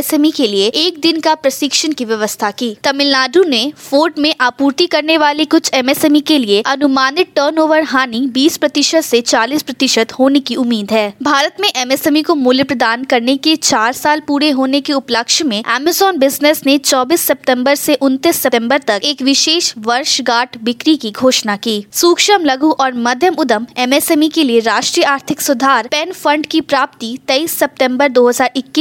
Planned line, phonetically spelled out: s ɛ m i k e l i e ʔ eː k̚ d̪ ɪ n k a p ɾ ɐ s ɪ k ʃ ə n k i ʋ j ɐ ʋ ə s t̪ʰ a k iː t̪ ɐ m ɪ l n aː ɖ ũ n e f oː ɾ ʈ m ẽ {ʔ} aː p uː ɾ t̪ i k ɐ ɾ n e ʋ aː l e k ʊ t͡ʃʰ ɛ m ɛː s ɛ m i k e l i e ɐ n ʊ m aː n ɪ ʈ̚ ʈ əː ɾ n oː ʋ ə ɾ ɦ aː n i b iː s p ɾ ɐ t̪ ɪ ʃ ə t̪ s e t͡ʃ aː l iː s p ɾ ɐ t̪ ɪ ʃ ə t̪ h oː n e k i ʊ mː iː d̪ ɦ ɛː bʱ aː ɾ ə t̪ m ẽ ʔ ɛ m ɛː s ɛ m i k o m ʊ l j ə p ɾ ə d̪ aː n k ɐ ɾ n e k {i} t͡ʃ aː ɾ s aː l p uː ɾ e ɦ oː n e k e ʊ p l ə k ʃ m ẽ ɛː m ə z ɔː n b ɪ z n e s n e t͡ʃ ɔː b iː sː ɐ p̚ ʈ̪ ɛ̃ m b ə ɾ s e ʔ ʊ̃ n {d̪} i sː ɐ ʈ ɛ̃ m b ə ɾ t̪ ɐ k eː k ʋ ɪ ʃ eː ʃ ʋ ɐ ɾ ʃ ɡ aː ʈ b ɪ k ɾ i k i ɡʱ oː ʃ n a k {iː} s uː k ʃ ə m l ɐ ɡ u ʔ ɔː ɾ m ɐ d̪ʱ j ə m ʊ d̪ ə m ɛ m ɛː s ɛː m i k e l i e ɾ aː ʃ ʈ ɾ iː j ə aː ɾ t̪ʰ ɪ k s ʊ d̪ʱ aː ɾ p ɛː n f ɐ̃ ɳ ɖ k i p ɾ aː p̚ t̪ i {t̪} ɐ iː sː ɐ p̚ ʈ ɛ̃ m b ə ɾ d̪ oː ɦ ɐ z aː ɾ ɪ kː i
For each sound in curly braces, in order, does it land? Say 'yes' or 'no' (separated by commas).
yes, no, no, yes, yes